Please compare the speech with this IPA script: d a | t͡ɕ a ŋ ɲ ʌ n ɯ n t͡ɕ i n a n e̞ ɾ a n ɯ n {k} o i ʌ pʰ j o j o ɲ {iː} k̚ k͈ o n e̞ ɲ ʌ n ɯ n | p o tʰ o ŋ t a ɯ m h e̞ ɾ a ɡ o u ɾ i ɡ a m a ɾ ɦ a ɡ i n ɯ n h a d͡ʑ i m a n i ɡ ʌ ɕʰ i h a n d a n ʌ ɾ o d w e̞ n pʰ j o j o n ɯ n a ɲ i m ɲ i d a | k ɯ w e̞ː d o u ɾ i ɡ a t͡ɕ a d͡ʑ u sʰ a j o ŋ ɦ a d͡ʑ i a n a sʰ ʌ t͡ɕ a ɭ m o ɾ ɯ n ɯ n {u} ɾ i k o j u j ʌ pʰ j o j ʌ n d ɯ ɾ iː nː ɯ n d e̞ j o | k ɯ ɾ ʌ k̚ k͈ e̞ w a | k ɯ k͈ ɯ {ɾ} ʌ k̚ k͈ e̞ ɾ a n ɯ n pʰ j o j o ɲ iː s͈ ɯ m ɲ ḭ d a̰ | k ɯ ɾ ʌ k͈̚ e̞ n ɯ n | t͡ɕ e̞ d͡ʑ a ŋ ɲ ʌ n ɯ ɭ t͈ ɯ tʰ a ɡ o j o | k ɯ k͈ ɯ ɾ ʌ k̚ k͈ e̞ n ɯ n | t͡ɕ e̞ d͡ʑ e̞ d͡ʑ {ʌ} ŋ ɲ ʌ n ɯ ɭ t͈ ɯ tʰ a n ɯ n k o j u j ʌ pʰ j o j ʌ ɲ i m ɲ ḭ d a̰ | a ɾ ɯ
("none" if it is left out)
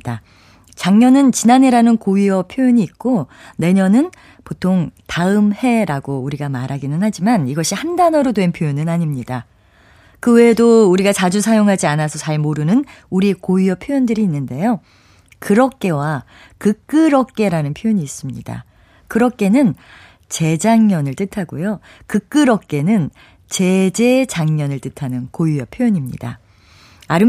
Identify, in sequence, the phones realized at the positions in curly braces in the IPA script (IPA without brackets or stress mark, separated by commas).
k, iː, u, ɾ, a